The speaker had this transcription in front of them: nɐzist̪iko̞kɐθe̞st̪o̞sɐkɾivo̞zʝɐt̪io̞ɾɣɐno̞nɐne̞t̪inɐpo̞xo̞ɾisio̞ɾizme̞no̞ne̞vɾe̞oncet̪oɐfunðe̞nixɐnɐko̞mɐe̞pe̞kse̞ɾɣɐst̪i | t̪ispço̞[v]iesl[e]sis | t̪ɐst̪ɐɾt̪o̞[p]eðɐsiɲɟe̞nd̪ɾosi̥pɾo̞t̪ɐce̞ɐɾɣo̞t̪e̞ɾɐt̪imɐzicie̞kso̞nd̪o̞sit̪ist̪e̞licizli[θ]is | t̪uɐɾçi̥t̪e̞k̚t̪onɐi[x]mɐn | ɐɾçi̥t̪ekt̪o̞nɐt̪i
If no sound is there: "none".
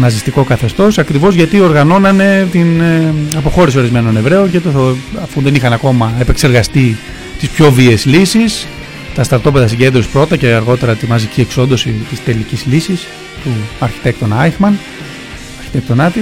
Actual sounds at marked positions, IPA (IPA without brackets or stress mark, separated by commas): v, i, p, s, x